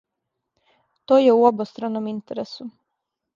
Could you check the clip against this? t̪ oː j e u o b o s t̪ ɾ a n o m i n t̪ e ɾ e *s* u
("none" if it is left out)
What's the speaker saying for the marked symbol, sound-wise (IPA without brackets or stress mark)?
s